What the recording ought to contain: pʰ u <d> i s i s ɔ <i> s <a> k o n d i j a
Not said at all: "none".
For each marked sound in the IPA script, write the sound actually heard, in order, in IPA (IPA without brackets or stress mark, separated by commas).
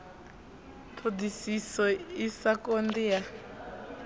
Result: d, i, a